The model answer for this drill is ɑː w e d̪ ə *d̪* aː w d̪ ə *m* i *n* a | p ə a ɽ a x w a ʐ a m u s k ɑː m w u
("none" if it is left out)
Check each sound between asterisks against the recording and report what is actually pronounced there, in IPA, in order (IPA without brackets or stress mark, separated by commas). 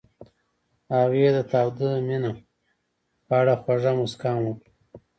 t̪, m, n